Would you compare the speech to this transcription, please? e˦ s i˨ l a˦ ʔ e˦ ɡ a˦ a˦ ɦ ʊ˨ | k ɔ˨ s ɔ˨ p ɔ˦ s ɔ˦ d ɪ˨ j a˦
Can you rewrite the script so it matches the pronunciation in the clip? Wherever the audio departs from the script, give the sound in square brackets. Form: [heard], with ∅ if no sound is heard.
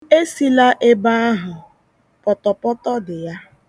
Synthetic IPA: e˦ s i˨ l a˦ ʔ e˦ [b] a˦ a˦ ɦ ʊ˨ | [p] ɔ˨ [t] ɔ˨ p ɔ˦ [t] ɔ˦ d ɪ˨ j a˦